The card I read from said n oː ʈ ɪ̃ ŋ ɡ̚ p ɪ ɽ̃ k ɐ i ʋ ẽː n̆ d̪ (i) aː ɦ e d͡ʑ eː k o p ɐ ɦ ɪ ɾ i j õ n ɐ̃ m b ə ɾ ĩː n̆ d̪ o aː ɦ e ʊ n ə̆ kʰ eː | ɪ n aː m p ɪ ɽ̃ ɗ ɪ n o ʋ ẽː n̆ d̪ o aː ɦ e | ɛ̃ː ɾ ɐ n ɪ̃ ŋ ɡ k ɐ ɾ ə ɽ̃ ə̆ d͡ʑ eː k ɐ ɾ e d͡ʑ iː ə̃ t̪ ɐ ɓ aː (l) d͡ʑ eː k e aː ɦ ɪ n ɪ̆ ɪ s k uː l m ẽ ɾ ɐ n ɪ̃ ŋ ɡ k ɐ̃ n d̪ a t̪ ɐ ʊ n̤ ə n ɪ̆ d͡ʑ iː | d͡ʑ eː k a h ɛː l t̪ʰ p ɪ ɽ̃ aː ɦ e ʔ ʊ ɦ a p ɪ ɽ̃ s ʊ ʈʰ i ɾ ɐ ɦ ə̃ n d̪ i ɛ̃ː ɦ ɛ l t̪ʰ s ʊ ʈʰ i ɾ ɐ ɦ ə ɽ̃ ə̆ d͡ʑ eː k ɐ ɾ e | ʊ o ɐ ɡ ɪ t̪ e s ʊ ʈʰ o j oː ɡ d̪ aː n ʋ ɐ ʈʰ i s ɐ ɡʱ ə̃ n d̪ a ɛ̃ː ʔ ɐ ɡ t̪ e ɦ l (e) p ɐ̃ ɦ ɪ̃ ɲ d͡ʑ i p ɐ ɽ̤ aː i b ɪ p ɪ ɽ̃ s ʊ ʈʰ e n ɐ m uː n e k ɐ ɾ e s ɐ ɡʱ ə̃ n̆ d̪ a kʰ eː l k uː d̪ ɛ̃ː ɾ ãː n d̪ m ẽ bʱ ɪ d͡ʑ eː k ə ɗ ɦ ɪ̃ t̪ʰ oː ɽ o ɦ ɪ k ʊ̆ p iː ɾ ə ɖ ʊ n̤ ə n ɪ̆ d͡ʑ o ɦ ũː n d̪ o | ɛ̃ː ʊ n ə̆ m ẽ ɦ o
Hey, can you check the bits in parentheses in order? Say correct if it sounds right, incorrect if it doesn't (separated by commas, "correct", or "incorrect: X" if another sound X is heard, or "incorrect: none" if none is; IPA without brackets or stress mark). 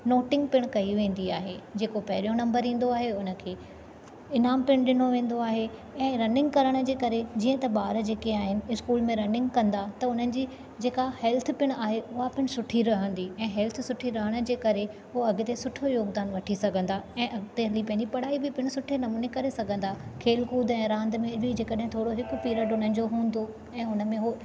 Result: correct, incorrect: ɾ, incorrect: i